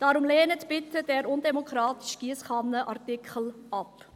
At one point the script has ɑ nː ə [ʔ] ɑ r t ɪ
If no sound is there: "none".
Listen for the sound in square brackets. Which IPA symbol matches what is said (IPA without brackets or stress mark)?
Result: ʔ